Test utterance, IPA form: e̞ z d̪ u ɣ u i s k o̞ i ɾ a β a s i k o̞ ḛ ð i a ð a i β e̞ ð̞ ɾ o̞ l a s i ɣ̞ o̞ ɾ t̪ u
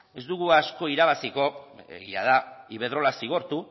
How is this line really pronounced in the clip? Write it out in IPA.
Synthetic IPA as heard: e̞ z d̪ u ɣ u a s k o̞ i ɾ a β a s i k o̞ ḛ ɣ i a ð a i β e̞ ð̞ ɾ o̞ l a s i ɣ̞ o̞ ɾ t̪ u